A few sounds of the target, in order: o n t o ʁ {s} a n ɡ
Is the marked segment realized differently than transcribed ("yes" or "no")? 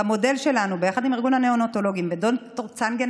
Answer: yes